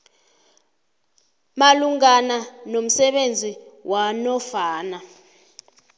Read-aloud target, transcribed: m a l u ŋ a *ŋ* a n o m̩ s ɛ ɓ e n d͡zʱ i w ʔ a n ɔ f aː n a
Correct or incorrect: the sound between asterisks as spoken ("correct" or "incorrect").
incorrect